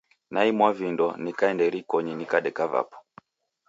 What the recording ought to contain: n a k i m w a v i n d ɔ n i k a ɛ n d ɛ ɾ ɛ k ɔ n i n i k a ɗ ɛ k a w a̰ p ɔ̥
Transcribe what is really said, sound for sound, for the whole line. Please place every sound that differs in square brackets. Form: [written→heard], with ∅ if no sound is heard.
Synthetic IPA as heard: n a [k→∅] i m w a v i n d ɔ n i k a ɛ n d ɛ ɾ [ɛ→i] k ɔ [n→ɲ] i n i k a ɗ ɛ k a [w→v] a̰ p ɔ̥